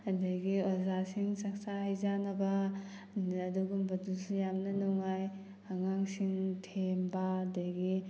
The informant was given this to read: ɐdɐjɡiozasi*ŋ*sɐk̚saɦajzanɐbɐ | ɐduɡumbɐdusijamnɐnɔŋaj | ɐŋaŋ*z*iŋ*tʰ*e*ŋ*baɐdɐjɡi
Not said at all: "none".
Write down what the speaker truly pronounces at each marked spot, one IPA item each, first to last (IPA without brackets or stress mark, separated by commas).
ŋ, s, tʰ, m